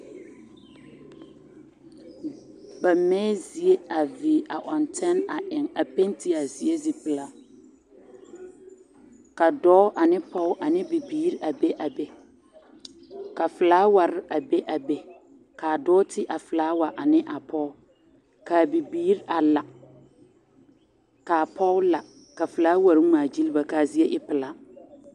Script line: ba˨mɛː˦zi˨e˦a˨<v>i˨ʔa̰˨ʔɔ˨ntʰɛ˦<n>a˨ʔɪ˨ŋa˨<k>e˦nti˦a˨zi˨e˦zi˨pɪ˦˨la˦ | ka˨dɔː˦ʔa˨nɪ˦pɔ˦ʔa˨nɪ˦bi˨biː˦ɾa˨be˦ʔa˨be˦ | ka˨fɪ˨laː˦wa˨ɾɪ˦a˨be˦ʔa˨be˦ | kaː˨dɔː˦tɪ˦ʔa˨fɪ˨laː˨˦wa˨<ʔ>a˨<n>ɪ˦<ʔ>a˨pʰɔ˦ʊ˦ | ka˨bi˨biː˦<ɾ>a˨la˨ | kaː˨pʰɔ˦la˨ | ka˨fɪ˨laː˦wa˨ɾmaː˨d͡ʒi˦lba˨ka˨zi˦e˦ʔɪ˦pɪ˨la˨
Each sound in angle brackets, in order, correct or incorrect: correct, correct, incorrect: p, correct, correct, correct, correct

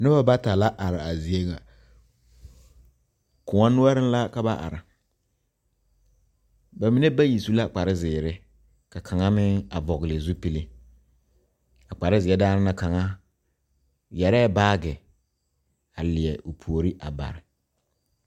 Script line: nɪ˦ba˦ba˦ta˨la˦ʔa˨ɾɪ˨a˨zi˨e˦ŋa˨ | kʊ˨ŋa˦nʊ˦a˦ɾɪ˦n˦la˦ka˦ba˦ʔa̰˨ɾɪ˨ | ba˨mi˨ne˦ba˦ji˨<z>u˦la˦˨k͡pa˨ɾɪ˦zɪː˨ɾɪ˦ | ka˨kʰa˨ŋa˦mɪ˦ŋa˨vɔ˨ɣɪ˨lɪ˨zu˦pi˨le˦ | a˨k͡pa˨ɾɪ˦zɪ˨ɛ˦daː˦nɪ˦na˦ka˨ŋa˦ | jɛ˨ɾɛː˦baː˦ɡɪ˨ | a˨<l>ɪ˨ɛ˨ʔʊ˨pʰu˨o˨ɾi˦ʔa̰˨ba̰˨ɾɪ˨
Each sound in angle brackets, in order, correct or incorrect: incorrect: s, correct

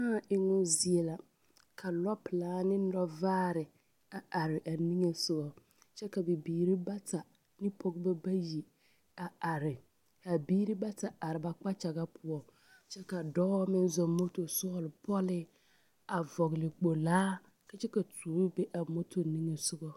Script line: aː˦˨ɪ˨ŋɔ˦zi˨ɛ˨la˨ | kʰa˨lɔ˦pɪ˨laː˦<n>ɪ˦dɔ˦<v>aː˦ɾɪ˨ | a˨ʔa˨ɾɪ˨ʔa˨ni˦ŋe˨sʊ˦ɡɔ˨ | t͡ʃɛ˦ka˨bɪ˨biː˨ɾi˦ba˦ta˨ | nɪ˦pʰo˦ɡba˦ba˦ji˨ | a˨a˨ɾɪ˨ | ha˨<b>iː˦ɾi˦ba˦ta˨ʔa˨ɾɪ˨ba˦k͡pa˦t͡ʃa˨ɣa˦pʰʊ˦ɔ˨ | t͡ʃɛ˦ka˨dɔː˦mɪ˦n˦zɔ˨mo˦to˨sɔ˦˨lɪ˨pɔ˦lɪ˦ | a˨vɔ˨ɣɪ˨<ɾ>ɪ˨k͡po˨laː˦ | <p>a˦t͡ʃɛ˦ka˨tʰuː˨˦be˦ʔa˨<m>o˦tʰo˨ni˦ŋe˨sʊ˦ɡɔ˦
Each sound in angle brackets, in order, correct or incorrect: correct, correct, correct, incorrect: l, incorrect: k, correct

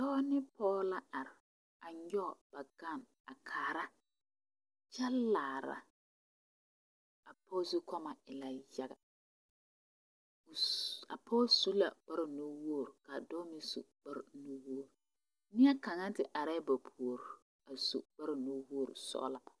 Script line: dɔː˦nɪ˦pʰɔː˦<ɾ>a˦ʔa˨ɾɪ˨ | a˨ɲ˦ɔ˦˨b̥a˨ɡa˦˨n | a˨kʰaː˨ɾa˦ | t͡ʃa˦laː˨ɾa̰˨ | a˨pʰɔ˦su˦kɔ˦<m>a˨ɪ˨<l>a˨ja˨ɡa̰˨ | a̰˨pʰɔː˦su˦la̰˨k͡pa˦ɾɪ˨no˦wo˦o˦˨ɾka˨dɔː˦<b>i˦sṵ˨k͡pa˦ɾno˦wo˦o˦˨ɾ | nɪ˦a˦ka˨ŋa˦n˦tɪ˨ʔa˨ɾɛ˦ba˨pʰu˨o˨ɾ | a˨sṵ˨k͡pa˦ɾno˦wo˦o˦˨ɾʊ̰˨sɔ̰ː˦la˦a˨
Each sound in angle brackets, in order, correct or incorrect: incorrect: l, correct, correct, incorrect: m

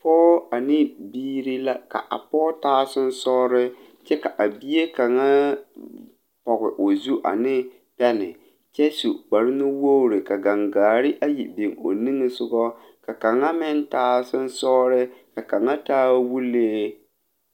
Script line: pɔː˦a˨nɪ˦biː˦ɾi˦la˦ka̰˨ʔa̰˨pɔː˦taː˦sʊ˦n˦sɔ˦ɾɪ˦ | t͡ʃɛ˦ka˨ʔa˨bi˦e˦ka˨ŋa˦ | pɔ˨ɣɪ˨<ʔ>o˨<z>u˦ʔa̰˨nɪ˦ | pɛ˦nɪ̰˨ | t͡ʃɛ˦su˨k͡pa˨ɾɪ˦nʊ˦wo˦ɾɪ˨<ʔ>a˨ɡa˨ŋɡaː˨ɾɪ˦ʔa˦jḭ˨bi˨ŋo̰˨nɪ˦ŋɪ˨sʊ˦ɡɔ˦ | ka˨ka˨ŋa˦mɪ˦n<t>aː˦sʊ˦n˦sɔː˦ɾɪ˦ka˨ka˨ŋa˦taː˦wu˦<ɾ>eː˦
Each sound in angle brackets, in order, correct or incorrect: correct, correct, incorrect: k, correct, incorrect: l

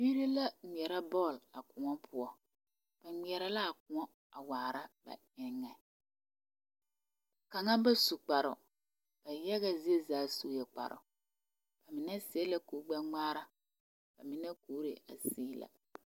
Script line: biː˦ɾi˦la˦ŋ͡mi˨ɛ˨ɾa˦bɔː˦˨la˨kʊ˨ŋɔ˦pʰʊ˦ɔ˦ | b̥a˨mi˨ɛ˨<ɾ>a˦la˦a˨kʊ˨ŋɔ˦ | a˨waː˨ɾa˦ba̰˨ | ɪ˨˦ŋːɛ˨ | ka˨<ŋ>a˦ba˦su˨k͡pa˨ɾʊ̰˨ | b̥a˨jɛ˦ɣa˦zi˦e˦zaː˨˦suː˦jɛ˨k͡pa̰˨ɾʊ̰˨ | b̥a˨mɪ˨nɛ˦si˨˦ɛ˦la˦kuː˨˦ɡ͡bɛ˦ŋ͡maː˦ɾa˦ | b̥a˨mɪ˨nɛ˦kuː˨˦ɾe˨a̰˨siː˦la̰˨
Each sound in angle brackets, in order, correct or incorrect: correct, correct

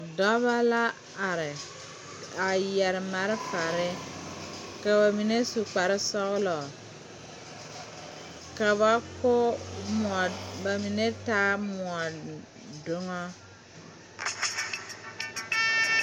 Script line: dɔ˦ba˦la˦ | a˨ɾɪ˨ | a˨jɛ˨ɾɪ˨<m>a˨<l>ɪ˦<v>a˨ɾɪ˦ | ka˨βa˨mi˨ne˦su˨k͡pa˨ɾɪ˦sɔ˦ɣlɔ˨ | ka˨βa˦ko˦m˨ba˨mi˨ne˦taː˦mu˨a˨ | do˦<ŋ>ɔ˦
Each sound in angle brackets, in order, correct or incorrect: correct, incorrect: ɾ, incorrect: f, correct

